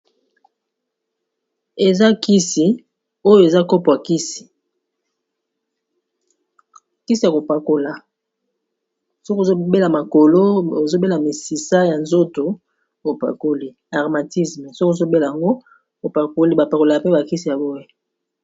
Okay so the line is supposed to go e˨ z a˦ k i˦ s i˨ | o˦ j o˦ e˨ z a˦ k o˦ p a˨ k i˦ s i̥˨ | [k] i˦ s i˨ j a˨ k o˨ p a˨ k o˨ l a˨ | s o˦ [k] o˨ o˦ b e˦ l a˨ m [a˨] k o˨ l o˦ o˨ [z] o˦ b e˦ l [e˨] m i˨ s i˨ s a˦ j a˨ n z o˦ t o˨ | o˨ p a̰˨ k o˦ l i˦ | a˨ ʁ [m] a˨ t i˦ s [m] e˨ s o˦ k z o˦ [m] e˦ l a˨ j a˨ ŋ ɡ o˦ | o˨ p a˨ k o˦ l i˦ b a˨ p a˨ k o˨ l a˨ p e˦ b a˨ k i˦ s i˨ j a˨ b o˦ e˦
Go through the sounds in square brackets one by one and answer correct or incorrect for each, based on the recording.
correct, correct, correct, correct, incorrect, correct, correct, incorrect

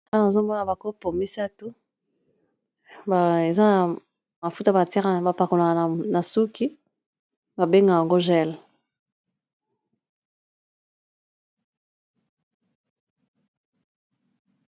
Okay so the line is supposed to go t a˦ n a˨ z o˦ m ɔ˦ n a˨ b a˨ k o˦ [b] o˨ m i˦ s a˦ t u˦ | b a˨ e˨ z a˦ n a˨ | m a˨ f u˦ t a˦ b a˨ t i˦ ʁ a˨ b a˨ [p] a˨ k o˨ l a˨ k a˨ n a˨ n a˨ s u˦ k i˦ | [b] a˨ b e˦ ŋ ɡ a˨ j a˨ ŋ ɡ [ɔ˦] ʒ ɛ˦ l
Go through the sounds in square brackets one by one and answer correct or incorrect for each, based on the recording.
incorrect, correct, correct, incorrect

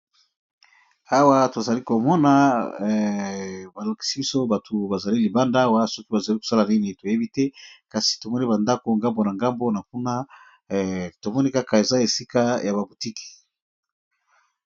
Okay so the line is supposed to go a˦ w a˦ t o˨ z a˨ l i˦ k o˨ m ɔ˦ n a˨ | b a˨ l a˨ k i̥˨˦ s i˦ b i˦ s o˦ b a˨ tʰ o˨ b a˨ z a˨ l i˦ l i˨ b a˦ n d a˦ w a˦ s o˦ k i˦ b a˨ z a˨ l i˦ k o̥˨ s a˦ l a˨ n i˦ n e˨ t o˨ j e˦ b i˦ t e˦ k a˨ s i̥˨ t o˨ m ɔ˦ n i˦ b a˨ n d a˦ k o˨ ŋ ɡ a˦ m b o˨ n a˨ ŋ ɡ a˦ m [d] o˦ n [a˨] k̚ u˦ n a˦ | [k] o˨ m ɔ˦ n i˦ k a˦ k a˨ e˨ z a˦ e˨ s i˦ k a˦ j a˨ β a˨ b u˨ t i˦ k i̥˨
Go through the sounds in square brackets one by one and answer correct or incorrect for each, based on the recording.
incorrect, correct, incorrect

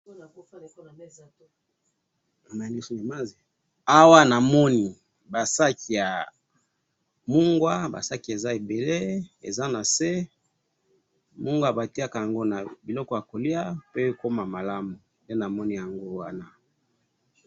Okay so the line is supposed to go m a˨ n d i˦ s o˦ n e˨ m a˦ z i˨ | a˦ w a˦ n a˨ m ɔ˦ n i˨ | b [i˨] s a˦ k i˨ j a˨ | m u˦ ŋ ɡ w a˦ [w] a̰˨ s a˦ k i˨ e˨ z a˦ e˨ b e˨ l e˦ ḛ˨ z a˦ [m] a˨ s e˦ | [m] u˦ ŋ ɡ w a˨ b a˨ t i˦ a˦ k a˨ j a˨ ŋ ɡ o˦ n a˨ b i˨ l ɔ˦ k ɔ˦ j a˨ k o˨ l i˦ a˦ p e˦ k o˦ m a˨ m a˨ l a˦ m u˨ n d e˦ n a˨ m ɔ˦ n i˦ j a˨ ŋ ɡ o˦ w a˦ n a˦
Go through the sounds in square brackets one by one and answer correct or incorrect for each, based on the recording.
incorrect, incorrect, incorrect, correct

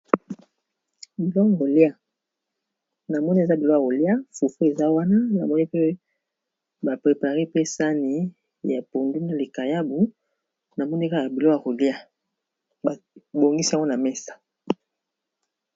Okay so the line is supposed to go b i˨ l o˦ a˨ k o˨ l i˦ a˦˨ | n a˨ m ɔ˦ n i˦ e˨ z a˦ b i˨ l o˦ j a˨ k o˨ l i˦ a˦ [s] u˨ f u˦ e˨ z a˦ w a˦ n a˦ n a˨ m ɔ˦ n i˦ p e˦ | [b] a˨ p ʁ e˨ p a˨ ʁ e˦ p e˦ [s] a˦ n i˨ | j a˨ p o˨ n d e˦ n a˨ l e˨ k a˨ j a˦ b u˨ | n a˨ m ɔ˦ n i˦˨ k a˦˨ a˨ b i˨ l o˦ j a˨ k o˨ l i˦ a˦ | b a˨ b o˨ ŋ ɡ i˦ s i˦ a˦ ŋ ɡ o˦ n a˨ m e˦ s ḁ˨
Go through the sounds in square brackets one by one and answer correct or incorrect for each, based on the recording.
incorrect, correct, correct

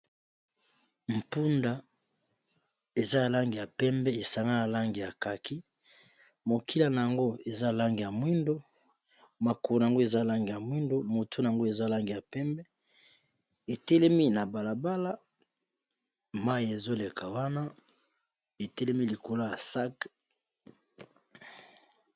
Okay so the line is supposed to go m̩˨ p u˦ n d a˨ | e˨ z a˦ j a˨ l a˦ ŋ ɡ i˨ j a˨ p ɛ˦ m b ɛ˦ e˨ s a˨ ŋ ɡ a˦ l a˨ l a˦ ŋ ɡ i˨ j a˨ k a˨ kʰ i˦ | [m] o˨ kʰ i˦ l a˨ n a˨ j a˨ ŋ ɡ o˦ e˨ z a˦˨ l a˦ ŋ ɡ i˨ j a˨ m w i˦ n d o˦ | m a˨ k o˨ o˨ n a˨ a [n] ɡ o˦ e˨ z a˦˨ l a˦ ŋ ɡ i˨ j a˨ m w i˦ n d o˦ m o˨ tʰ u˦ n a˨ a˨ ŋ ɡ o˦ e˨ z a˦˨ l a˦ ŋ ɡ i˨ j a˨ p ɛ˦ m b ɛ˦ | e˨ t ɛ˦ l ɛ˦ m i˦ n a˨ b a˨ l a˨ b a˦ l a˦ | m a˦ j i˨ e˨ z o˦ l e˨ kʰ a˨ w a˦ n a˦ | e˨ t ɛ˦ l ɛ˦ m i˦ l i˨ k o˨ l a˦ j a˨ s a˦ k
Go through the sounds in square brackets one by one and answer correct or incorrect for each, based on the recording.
correct, incorrect

